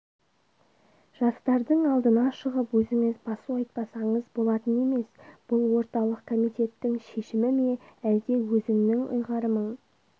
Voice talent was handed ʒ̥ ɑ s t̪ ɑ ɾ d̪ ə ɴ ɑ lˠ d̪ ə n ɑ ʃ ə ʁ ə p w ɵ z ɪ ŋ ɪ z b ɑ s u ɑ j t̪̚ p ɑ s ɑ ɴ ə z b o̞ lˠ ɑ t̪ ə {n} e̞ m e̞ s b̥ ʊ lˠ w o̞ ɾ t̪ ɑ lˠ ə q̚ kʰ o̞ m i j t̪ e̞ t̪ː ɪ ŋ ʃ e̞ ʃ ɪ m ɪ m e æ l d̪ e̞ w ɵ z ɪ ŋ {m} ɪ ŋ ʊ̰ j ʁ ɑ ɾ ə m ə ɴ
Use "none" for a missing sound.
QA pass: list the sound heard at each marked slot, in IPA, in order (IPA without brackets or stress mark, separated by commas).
n, n